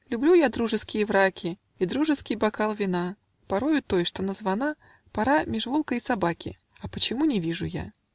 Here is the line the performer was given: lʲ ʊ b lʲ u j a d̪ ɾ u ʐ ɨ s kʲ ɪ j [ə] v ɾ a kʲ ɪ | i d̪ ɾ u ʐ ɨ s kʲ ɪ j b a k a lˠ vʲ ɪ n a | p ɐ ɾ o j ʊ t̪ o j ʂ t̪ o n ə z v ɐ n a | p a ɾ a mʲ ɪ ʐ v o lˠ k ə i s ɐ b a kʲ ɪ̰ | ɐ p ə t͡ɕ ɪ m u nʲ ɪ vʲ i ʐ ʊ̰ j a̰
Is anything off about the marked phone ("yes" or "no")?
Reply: no